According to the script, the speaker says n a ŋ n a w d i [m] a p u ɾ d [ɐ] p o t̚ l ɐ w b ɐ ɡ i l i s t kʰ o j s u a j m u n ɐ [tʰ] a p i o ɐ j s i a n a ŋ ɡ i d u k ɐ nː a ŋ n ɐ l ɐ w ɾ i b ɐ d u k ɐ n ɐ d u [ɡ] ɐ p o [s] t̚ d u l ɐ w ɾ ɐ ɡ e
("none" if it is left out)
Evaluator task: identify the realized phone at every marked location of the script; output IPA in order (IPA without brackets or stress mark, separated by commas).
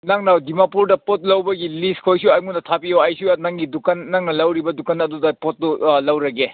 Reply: m, ɐ, tʰ, d, none